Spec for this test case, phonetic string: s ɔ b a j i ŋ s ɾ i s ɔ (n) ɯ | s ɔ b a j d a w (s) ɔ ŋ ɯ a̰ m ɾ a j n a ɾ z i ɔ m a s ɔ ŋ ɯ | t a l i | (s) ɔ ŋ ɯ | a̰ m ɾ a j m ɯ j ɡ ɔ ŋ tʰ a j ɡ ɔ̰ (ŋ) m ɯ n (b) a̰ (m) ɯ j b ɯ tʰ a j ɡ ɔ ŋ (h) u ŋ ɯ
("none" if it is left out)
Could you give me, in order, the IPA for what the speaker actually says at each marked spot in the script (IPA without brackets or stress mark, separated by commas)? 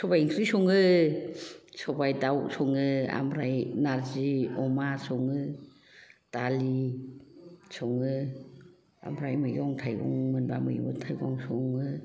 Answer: ŋ, s, s, ŋ, b, m, s